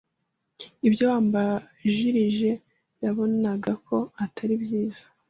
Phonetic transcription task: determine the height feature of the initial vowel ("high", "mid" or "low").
high